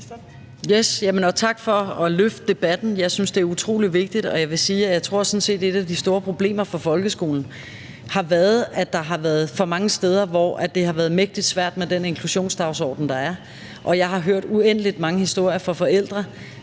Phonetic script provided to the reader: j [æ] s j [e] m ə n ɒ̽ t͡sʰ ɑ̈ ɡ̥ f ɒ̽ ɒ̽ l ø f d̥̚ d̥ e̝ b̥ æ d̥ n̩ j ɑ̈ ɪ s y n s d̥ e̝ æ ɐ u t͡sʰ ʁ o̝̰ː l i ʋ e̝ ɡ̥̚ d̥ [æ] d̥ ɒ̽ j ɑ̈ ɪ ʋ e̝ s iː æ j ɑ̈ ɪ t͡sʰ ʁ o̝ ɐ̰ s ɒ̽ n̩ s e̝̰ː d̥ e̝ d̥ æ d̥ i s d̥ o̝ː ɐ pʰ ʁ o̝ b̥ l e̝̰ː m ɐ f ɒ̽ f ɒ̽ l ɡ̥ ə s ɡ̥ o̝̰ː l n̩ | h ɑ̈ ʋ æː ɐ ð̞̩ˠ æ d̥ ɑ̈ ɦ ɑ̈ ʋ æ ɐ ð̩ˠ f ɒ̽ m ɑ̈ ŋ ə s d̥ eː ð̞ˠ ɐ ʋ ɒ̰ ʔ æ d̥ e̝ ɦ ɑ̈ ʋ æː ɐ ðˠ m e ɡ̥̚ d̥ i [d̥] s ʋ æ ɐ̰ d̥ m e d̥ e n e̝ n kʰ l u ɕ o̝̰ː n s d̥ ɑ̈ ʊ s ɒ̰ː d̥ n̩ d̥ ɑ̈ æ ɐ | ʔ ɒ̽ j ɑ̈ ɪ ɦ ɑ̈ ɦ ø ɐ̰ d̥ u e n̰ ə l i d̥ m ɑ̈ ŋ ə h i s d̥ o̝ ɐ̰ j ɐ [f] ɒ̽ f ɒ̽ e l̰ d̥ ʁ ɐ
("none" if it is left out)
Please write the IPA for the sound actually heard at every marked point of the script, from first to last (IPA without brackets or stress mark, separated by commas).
e, æ, i, d̥, f